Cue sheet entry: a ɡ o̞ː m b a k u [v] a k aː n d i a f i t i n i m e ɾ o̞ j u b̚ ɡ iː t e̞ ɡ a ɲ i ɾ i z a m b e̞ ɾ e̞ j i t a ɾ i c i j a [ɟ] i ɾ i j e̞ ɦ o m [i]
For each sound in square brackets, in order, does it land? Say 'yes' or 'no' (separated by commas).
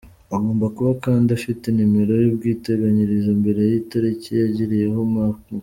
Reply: no, yes, no